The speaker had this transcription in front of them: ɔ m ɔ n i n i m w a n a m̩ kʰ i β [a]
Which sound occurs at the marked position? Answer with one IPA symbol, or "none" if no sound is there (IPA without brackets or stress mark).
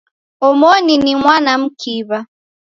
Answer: a